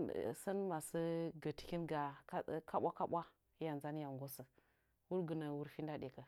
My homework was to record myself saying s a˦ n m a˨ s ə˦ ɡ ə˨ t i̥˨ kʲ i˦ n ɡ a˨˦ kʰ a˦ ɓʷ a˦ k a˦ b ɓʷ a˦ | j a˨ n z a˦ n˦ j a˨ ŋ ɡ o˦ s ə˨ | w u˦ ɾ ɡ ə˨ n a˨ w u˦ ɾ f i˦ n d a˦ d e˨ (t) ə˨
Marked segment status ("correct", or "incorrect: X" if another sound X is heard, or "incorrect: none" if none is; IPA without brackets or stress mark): incorrect: k